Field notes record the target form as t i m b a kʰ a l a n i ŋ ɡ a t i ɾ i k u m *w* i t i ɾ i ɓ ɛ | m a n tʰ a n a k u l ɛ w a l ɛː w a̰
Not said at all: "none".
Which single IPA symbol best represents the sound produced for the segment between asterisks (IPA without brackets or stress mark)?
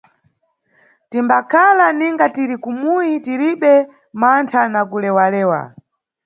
u